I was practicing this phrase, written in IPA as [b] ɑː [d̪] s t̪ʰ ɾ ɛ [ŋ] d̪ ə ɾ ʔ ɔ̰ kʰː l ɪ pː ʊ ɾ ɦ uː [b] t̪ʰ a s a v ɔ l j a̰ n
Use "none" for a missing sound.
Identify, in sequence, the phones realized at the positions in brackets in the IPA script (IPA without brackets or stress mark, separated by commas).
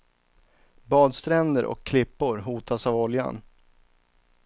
b, d̪, n, none